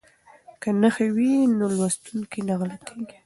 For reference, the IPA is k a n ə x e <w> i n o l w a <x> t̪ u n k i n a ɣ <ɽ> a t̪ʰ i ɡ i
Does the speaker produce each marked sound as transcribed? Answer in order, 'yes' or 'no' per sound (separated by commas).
yes, no, no